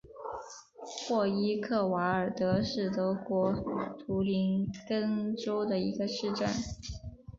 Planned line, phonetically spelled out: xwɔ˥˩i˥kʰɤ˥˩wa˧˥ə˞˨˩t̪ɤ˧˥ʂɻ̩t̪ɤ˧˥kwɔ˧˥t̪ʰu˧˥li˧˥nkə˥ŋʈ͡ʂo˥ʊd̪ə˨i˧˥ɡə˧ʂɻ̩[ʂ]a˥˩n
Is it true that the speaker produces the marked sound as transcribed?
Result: no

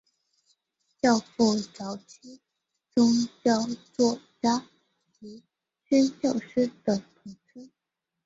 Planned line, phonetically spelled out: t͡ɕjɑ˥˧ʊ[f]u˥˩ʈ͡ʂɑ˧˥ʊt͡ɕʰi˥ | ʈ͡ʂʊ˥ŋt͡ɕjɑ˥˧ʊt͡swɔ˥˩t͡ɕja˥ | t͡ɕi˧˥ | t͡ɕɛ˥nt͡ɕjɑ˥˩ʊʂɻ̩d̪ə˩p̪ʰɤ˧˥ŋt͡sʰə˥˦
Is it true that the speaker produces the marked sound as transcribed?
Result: yes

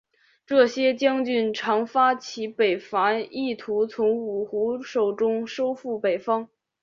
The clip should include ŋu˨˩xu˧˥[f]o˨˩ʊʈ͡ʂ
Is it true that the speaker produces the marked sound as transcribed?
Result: no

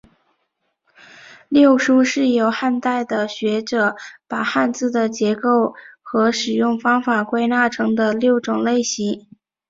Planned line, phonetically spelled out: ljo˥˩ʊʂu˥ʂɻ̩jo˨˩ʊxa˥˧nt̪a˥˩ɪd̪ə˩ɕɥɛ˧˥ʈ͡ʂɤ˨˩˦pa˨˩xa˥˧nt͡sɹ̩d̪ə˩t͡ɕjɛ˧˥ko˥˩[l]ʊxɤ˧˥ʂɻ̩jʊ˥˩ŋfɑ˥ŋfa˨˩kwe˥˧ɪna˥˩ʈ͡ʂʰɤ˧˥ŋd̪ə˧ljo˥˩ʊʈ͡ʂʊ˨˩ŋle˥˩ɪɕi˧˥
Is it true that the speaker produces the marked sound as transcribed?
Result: no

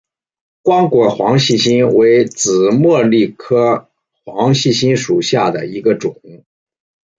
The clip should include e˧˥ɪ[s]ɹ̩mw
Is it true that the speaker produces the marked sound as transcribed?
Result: no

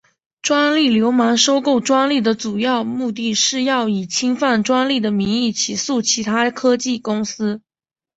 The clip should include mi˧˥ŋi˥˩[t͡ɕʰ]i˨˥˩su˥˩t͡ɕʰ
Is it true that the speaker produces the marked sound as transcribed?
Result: yes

